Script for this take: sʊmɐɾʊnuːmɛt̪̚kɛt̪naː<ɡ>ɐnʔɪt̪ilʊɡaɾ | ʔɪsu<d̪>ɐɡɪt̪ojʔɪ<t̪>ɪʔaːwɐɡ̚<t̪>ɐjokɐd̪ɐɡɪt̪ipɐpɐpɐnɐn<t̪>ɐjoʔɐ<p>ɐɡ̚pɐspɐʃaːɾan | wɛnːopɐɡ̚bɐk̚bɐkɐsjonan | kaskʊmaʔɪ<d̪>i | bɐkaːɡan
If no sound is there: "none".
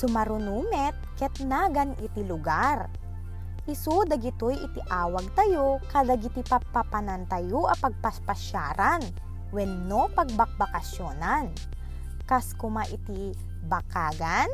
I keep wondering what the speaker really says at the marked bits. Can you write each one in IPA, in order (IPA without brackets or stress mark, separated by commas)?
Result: ɡ, d̪, t̪, t̪, t̪, p, t̪